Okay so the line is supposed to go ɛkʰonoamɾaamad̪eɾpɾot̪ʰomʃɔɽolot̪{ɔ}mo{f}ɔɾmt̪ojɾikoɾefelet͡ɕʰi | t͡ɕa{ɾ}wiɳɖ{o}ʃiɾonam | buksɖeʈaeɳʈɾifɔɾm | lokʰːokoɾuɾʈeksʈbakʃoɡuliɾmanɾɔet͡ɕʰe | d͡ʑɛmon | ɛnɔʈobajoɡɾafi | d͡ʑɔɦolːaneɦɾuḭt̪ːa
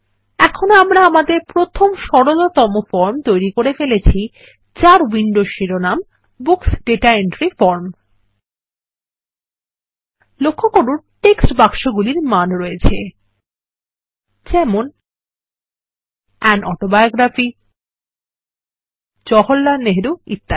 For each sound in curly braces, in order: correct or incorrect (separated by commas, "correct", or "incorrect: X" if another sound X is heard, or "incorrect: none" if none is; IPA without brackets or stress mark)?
correct, correct, correct, correct